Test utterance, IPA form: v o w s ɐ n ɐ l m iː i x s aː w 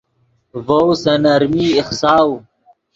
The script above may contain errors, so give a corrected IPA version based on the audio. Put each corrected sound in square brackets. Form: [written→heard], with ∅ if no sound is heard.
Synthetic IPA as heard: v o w s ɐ n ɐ [l→ɾ] m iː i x s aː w